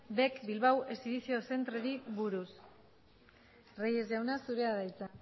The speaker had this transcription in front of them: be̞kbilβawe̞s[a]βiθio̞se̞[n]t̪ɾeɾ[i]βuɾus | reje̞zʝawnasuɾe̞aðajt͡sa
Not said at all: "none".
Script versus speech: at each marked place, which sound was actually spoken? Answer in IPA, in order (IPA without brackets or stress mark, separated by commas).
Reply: i, n, i